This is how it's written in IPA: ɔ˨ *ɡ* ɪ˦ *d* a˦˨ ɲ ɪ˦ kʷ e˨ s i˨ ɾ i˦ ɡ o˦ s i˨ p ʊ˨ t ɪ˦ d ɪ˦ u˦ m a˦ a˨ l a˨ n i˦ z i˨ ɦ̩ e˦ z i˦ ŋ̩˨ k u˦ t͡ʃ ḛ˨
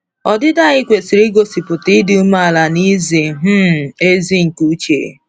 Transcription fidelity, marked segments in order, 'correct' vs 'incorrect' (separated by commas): incorrect, correct